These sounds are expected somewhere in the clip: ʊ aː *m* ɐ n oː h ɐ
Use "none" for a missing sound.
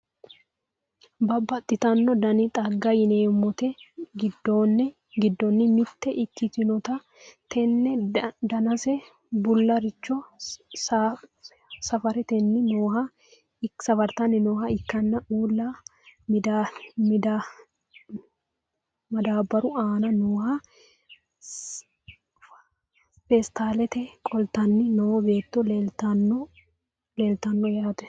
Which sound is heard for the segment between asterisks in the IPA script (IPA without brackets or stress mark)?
n